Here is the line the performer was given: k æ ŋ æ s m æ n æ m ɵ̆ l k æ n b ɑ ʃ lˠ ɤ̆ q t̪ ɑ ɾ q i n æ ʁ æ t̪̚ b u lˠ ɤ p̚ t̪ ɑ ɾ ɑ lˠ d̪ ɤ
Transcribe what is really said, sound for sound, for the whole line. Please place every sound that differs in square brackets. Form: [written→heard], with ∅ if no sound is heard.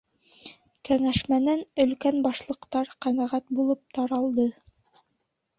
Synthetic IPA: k æ ŋ æ [s→ʃ] m æ n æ [m→n] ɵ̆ l k æ n b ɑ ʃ lˠ ɤ̆ q t̪ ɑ ɾ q [i→æ] n æ ʁ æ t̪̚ b u lˠ ɤ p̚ t̪ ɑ ɾ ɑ lˠ d̪ ɤ